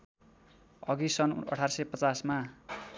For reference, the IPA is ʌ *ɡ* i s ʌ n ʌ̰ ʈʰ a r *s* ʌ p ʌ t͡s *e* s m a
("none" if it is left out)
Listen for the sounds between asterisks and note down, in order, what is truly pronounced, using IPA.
ɡ, s, a

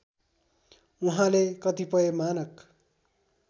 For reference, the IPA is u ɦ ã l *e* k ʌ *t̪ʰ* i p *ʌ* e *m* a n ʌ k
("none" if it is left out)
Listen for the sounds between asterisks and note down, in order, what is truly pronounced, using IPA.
e, t̪, ʌ, m

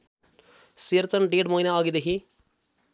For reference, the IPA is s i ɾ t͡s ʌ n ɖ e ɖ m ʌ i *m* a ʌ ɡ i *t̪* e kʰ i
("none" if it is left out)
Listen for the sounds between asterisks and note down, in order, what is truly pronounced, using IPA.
n, d̪

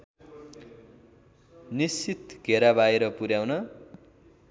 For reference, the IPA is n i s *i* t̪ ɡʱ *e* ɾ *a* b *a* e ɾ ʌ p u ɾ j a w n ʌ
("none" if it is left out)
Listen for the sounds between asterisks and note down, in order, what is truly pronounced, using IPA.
i, e, a, a

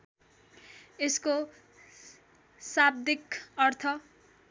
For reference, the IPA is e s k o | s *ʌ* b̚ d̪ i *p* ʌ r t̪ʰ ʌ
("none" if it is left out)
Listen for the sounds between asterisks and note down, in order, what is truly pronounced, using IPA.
a, k

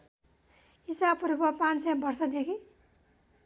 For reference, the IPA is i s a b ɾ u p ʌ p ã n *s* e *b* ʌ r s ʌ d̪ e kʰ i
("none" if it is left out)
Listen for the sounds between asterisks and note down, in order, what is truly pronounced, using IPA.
s, b

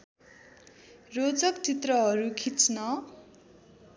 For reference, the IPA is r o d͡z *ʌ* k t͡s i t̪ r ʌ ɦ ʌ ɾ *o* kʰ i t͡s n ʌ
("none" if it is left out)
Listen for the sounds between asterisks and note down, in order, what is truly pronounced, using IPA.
ʌ, u

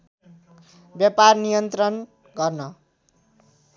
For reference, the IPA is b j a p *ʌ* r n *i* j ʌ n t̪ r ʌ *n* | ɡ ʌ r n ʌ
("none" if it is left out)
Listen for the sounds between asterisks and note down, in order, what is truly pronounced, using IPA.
a, i, n

